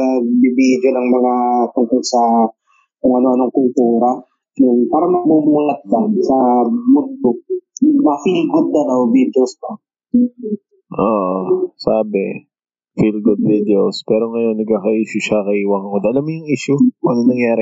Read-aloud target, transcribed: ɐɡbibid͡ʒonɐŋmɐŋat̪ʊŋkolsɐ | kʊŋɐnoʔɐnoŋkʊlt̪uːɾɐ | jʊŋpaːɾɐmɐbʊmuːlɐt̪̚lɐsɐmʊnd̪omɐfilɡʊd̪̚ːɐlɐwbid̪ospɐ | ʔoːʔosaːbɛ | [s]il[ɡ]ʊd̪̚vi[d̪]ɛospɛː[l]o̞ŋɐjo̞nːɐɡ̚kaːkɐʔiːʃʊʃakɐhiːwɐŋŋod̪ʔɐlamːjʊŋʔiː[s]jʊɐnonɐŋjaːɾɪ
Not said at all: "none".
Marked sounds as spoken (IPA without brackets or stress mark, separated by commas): f, ɡ, d̪, ɾ, ʃ